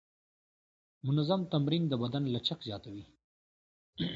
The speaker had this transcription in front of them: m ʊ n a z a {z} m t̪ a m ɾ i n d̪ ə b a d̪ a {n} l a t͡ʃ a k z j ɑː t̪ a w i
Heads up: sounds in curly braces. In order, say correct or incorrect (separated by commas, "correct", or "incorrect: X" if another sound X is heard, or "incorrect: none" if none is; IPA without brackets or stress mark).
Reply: incorrect: none, correct